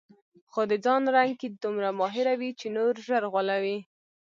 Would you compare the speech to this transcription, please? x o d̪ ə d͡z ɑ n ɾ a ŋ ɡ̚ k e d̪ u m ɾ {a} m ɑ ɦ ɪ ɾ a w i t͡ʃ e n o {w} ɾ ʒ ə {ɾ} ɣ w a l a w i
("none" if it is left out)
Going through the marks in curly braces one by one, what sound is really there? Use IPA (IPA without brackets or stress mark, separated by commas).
a, none, ɾ